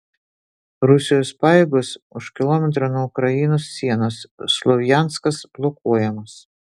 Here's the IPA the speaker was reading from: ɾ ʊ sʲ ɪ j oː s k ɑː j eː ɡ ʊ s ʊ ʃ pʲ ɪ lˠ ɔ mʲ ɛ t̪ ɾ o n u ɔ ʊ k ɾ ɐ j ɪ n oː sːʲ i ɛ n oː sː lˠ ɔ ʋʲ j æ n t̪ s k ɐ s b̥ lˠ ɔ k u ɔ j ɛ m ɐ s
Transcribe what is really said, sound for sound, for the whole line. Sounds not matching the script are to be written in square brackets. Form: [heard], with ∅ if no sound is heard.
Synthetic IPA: ɾ ʊ sʲ ɪ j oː s [p] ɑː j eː ɡ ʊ s ʊ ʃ [kʲ] ɪ lˠ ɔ mʲ ɛ t̪ ɾ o n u ɔ ʊ k ɾ ɐ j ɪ n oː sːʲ i ɛ n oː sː lˠ ɔ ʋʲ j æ n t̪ s k ɐ s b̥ lˠ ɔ k u ɔ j ɛ m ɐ s